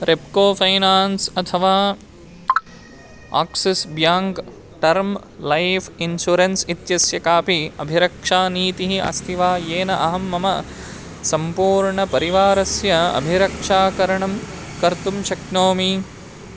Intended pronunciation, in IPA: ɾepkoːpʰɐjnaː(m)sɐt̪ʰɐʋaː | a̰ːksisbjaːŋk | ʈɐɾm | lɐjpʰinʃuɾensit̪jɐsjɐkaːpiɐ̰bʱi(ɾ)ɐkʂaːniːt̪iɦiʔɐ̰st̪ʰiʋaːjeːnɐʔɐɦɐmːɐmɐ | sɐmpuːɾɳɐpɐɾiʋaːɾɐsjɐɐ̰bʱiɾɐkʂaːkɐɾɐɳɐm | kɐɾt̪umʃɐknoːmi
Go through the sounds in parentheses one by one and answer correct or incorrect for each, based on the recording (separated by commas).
incorrect, correct